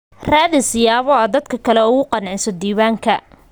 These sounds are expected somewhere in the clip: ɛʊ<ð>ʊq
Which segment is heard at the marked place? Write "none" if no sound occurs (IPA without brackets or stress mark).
ɣ